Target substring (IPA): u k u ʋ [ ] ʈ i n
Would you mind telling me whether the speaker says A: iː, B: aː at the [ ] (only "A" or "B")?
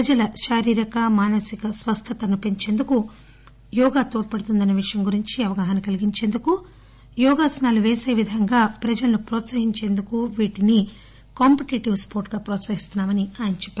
A